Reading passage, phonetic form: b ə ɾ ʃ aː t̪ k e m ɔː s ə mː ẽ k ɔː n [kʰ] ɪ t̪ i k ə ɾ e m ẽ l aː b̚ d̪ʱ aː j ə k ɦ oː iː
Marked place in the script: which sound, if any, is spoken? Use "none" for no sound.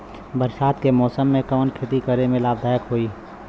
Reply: kʰ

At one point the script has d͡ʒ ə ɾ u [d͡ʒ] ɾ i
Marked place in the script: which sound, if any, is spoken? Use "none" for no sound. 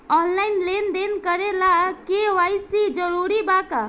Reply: none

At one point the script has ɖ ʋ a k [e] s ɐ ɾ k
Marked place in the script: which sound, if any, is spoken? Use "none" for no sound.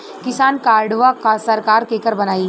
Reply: a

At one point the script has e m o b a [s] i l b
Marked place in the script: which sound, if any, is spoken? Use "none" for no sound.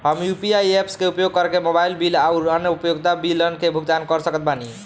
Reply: none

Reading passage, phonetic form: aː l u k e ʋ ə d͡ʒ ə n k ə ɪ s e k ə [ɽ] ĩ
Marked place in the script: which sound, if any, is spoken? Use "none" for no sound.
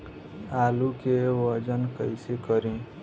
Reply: ɾ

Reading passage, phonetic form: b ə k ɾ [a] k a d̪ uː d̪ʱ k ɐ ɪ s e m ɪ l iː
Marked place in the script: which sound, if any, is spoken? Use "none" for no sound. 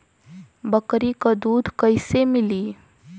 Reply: i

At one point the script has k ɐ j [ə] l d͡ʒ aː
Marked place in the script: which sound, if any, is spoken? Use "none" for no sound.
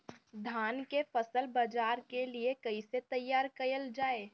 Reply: ə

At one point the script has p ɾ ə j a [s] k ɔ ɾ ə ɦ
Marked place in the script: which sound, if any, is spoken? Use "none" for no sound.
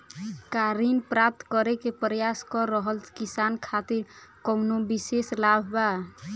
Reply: s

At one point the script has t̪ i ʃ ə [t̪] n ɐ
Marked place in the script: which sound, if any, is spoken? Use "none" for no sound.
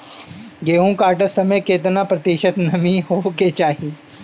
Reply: t̪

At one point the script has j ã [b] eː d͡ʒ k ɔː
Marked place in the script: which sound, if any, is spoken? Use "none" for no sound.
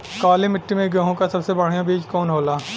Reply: b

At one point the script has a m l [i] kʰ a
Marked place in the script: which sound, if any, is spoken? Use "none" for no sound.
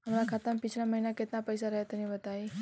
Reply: a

